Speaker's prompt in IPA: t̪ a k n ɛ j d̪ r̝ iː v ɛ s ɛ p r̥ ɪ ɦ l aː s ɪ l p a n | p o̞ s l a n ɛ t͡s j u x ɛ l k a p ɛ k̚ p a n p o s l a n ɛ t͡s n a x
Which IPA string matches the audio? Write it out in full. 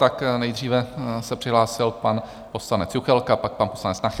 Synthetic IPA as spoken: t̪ a k n ɛ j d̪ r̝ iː v ɛ s ɛ p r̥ ɪ ɦ l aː s ɪ l p a n | p o̞ s l a n ɛ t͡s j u x ɛ l k a p a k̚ p a n p o s l a n ɛ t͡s n a x